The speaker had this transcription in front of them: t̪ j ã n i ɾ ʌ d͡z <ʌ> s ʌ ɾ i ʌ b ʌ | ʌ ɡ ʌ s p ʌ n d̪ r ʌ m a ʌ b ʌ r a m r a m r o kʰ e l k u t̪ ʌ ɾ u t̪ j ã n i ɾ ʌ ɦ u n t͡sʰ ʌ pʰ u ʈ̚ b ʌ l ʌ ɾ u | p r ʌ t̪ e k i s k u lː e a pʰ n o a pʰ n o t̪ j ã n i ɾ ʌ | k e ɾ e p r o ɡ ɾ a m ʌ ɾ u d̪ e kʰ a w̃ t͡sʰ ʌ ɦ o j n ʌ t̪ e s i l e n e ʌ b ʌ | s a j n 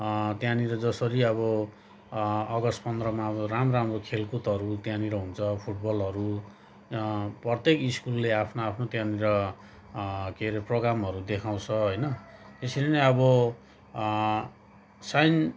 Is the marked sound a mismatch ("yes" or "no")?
no